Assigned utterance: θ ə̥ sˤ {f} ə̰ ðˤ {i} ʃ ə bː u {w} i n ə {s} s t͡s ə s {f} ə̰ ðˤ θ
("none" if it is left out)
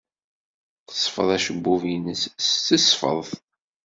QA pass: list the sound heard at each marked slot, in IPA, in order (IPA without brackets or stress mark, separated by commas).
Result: f, æ, v, s, f